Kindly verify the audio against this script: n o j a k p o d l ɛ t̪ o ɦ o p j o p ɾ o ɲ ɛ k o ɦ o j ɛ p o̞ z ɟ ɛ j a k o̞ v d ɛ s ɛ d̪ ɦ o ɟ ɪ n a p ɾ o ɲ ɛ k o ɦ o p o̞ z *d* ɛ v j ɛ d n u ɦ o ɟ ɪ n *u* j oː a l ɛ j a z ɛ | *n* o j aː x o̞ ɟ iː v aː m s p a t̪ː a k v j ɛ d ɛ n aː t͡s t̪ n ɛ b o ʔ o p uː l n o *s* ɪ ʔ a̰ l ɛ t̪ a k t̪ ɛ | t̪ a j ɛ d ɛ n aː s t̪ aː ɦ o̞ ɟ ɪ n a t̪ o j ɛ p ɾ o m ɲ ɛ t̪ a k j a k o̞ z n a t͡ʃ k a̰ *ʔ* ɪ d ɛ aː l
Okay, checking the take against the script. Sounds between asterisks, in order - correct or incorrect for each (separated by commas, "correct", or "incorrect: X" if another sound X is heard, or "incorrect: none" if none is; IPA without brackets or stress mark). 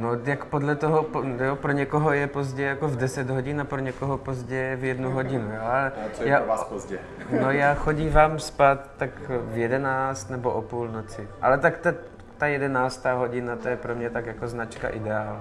incorrect: ɟ, correct, correct, incorrect: t͡s, correct